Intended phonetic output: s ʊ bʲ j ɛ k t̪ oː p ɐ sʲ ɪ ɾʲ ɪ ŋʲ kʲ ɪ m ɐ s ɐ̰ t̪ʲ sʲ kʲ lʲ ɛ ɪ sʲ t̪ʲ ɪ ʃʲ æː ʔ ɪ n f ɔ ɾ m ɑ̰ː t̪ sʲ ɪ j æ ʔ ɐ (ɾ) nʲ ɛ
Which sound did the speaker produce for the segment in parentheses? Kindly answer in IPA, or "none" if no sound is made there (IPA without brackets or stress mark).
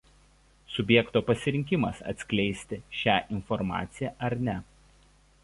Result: ɾ